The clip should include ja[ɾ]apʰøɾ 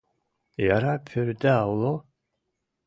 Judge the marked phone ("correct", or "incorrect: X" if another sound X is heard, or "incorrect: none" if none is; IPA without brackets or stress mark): correct